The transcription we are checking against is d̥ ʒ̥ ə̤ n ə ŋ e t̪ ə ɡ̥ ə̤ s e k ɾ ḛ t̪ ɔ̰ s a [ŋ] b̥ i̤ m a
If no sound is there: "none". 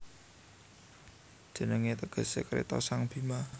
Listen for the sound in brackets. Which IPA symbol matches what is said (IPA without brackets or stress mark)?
ŋ